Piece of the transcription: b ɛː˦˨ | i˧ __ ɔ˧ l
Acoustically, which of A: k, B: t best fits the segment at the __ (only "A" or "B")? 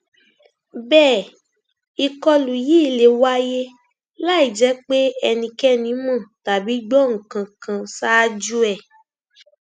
A